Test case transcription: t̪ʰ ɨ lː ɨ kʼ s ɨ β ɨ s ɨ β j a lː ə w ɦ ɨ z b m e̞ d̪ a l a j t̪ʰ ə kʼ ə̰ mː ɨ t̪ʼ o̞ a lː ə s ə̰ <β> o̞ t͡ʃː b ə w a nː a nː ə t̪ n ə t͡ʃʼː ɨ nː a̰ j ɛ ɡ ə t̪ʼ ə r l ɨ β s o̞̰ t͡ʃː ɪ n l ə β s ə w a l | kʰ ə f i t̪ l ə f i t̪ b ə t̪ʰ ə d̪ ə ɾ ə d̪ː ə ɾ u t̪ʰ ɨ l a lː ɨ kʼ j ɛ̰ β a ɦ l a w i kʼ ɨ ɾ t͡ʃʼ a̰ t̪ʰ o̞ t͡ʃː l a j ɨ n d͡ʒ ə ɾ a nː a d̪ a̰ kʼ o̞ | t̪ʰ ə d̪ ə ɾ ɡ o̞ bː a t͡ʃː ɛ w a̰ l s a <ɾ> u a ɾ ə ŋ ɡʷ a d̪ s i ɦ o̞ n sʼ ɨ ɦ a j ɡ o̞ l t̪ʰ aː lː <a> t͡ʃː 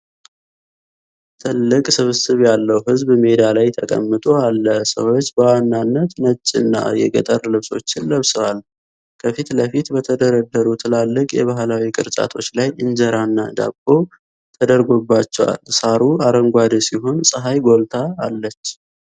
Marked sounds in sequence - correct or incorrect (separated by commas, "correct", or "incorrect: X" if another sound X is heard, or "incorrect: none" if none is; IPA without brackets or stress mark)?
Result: incorrect: w, correct, incorrect: ə